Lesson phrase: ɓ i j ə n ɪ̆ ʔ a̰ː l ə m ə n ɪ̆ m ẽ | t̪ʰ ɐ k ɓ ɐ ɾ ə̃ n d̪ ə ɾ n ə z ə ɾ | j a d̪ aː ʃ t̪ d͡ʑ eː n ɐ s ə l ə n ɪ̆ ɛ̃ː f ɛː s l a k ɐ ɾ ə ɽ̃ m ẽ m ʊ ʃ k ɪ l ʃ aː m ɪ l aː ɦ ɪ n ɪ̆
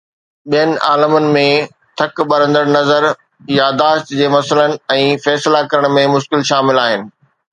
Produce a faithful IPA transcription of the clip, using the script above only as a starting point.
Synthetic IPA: ɓ i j ə n ɪ̆ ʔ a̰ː l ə m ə n ɪ̆ m ẽ | t̪ʰ ɐ k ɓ ɐ ɾ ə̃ n d̪ ə ɾ n ɐ z ə ɾ | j a d̪ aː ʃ t̪ d͡ʑ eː m ɐ s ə l ə n ɪ̆ ɛ̃ː f ɛː s l a k ɐ ɾ ə ɽ̃ m ẽ m ʊ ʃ k ɪ l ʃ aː m ɪ l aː ɦ ɪ n ɪ̆